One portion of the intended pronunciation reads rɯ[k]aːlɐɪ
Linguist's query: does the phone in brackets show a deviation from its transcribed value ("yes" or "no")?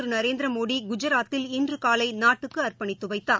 no